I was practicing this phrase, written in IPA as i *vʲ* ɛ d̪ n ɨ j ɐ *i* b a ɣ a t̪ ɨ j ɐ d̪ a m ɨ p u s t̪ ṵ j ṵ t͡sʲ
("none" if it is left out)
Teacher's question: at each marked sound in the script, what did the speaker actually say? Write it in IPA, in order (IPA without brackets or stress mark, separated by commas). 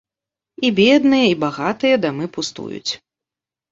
bʲ, i